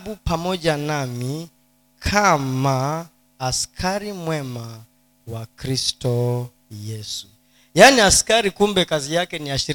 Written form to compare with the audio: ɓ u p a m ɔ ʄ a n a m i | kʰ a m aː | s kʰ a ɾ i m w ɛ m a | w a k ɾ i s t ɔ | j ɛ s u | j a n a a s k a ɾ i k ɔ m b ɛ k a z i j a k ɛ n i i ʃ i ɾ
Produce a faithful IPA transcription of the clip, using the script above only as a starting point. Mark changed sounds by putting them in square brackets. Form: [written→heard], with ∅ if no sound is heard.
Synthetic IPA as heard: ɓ u p a m ɔ ʄ a n a m i | kʰ a m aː | s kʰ a ɾ i m w ɛ m a | w a k ɾ i s t ɔ | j ɛ s u | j a n [a→i] a s k a ɾ i k [ɔ→u] m b ɛ k a z i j a k ɛ n i [i→a] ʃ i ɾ